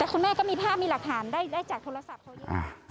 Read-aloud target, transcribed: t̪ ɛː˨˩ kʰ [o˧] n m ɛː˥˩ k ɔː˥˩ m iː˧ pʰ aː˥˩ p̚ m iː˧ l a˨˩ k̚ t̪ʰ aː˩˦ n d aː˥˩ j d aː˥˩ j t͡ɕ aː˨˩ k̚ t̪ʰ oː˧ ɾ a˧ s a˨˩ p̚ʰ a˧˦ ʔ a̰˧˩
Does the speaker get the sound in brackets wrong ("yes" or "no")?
yes